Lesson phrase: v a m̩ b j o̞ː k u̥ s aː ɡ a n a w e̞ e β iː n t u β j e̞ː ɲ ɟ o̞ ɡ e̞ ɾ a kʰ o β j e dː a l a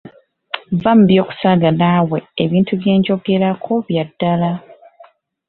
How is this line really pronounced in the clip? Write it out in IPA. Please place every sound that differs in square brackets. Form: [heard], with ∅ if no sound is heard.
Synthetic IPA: v a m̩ b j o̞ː k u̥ s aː ɡ a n a w e̞ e β iː n t u β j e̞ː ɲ ɟ o̞ ɡ e̞ ɾ a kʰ o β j [a] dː a l a